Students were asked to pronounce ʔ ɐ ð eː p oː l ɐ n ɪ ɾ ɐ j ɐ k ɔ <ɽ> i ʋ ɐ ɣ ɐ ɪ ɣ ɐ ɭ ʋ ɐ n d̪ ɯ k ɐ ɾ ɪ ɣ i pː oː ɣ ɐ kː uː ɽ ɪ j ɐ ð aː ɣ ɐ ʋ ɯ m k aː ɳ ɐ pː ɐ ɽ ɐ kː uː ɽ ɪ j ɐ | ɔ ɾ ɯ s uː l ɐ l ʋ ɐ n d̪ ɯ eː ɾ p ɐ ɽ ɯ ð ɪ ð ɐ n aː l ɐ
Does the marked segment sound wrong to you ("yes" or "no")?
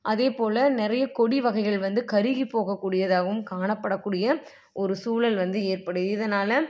no